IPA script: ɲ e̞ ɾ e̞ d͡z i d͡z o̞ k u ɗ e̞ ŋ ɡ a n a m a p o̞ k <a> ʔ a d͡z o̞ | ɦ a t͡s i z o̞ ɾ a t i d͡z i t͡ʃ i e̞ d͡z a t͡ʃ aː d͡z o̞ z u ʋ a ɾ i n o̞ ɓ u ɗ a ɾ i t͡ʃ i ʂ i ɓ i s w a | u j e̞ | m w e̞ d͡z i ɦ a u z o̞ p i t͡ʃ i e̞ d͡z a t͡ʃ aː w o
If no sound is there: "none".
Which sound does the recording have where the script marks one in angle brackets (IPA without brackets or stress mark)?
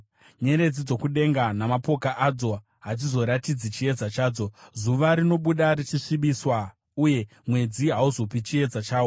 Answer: a